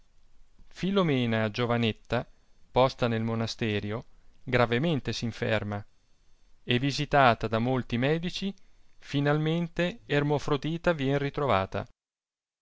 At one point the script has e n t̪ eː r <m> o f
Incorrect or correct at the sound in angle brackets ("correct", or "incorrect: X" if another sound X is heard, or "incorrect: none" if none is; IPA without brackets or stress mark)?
correct